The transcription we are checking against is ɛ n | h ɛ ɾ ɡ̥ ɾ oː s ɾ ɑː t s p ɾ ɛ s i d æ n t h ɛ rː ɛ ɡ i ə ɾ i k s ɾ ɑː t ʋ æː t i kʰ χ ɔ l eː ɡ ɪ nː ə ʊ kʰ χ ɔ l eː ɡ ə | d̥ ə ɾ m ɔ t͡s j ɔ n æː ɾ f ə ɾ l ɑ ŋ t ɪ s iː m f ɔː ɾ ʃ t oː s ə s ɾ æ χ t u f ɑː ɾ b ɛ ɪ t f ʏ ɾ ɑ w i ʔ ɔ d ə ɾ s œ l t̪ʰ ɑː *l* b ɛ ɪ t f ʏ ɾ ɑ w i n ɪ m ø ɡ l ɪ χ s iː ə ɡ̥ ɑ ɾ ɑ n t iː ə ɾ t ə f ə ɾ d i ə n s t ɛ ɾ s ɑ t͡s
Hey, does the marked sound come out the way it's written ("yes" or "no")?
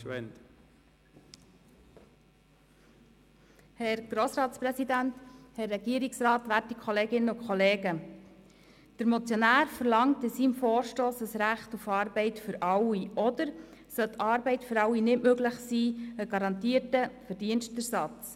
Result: no